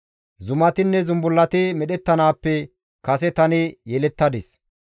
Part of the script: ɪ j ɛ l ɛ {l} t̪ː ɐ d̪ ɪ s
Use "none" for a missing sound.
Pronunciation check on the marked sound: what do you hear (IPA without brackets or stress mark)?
none